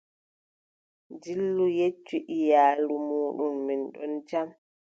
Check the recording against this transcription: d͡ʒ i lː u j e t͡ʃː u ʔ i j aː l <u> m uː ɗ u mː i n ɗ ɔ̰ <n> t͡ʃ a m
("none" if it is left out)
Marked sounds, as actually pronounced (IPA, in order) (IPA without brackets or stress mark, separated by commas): u, n